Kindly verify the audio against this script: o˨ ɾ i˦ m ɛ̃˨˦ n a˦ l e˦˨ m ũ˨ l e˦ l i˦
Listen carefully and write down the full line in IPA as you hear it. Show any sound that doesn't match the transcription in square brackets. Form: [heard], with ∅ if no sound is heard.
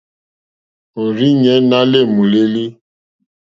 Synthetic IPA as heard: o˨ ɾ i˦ [ɲ] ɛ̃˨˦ n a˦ l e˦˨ m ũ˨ l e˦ l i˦